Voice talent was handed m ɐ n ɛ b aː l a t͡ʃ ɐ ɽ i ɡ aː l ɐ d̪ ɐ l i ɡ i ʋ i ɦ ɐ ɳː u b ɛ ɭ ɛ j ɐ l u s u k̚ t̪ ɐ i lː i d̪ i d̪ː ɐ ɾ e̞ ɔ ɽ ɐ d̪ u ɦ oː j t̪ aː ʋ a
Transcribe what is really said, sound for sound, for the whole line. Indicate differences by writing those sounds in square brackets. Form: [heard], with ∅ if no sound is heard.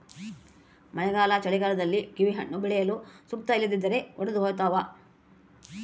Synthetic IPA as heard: m ɐ n ɛ [ɡ] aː l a t͡ʃ ɐ [ɭ] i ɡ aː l ɐ d̪ ɐ [lː] i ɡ i ʋ i ɦ ɐ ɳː u b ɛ ɭ ɛ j ɐ l u s u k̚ t̪ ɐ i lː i d̪ i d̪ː ɐ ɾ e̞ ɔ ɽ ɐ d̪ u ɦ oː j t̪ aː ʋ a